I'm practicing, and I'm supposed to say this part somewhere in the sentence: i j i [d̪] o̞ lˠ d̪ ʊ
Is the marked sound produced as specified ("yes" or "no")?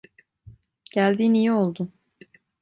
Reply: no